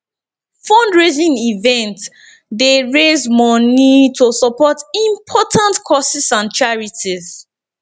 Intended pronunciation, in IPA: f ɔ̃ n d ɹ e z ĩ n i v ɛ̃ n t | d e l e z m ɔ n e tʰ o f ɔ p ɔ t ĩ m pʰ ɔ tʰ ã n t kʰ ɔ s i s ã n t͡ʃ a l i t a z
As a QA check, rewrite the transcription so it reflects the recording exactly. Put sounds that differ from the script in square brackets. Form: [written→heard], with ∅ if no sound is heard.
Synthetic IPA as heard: f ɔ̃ n d ɹ e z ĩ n i v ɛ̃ n t | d e [l→ɹ] e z m ɔ n [e→i] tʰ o [f→s] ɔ p ɔ t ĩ m pʰ ɔ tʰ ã n t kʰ ɔ s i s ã n t͡ʃ a [l→ɹ] i t [a→i] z